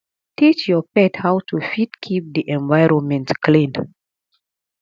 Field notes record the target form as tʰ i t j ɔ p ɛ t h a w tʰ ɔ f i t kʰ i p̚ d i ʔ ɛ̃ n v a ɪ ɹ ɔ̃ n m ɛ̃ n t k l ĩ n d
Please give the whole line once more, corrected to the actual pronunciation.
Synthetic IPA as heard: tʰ i t͡ʃ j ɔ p ɛ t h a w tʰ u f i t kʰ i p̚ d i ʔ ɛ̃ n v a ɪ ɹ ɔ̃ n m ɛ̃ n t k l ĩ n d